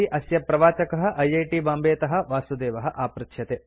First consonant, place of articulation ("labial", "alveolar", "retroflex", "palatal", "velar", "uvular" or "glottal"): glottal